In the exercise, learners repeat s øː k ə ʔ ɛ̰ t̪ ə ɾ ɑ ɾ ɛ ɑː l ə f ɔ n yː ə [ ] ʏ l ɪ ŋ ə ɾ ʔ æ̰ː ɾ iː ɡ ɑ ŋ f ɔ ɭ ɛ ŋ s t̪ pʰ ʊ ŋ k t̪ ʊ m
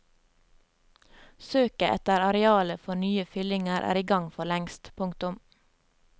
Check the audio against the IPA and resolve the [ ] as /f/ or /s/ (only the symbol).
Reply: f